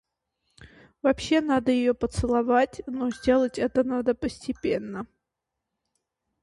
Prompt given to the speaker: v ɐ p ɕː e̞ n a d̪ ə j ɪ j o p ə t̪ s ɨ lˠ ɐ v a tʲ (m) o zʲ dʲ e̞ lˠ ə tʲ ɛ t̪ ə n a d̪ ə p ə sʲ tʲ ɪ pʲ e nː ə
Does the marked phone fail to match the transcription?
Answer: yes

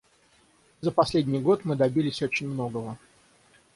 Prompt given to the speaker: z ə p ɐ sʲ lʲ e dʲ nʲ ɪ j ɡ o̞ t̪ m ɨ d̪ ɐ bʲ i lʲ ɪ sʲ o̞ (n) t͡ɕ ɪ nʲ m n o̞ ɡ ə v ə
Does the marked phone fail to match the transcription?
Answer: yes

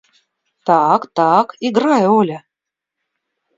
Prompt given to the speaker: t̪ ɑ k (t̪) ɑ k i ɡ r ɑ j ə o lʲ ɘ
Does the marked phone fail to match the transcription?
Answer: no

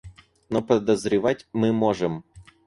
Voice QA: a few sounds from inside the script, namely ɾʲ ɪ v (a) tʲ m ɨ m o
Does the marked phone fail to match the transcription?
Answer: no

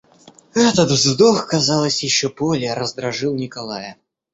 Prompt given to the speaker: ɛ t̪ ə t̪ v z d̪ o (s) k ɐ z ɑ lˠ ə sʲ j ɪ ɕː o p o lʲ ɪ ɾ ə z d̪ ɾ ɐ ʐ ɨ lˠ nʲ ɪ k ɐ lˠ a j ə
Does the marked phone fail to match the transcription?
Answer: yes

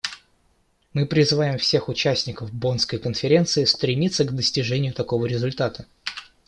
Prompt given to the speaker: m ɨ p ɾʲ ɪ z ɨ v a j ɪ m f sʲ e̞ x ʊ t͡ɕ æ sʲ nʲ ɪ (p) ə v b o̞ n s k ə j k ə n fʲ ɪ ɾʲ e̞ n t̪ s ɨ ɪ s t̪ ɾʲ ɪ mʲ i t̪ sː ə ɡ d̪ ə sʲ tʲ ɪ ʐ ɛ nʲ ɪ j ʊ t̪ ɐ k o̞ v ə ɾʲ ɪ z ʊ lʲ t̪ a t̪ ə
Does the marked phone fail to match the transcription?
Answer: yes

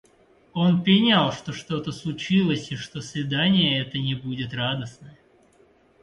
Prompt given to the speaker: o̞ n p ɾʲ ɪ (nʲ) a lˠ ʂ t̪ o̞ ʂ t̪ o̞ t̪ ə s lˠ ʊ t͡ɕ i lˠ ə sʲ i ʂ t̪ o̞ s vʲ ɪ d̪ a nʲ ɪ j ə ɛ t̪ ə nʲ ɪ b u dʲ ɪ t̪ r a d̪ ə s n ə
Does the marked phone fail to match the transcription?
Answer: no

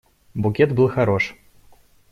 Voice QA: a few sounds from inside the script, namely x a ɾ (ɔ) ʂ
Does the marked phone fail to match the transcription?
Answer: no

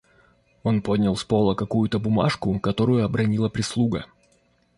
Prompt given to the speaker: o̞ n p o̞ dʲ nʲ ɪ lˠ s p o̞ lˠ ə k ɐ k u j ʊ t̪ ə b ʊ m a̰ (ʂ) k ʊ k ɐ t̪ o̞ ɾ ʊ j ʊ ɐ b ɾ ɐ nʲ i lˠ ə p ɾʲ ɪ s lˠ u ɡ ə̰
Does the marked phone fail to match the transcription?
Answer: no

